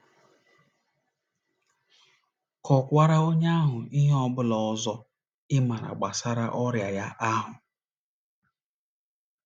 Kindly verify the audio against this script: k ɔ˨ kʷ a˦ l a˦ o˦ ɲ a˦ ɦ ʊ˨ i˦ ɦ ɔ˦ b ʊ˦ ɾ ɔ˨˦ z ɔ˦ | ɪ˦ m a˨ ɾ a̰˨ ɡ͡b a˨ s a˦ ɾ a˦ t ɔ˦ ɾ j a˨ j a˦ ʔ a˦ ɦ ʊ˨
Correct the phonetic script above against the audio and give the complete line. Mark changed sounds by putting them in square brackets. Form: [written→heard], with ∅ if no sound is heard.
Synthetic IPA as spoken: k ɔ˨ kʷ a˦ [l→ɾ] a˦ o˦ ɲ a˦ ɦ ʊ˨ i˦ ɦ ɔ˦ b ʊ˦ [ɾ→l] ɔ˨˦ z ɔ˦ | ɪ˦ m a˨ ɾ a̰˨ ɡ͡b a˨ s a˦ ɾ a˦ [t→ʔ] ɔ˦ ɾ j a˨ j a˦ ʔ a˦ ɦ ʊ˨